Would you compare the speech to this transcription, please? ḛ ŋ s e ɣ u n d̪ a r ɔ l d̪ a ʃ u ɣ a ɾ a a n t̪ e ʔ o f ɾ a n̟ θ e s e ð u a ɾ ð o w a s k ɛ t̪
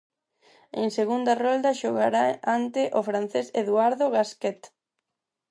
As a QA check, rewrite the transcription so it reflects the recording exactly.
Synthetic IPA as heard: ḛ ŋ s e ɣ u n d̪ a r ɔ l d̪ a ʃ o ɣ a ɾ a a n t̪ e ʔ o f ɾ a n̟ θ e s e ð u a ɾ ð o ɣ a s k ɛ t̪